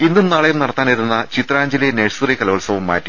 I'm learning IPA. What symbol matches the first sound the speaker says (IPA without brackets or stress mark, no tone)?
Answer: i